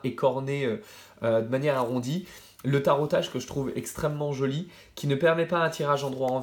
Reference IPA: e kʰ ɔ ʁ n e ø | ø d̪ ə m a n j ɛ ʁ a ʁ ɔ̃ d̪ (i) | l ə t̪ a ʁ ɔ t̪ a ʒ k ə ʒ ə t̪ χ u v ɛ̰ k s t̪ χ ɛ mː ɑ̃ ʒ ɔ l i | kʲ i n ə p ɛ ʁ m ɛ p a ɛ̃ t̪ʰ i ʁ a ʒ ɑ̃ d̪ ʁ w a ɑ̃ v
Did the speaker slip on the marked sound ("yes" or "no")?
no